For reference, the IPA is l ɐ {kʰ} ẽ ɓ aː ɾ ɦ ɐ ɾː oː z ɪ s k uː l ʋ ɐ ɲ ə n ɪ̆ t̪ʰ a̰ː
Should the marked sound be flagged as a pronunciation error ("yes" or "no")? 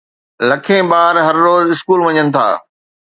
no